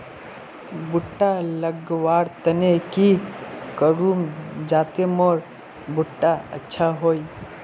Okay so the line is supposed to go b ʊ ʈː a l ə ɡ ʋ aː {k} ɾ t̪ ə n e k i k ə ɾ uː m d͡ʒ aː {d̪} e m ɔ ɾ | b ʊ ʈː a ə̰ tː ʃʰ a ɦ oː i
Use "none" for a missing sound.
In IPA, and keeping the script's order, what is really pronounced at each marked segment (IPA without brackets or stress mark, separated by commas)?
none, t̪